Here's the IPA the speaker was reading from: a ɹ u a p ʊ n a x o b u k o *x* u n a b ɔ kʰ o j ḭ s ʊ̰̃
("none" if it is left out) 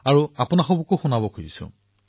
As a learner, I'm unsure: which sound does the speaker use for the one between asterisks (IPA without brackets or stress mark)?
x